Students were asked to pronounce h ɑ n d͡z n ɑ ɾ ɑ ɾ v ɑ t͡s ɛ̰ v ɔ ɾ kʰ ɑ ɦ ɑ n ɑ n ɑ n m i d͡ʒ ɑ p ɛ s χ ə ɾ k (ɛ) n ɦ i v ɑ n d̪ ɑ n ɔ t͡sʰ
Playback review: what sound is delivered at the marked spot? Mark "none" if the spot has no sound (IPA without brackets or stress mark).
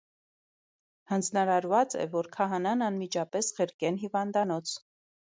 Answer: ɛ